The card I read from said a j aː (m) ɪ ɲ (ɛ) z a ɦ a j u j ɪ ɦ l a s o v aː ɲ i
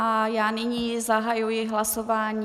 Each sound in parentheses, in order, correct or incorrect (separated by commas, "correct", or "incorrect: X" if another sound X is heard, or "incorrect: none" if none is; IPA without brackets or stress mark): incorrect: n, incorrect: i